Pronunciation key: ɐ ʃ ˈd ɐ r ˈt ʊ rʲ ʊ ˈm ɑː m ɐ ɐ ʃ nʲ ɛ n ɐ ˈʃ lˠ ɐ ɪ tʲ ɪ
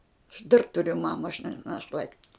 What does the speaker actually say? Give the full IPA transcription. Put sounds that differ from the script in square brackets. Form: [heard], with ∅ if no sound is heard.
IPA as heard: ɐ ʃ ˈd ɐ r ˈt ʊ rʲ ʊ ˈm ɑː m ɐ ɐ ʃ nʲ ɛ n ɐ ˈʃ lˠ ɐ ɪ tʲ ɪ